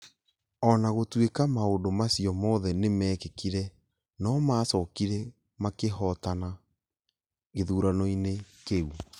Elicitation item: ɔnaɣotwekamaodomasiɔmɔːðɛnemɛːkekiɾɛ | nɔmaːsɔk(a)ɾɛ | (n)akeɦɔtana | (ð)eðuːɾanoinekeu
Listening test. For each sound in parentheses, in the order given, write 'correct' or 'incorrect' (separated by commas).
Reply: incorrect, incorrect, incorrect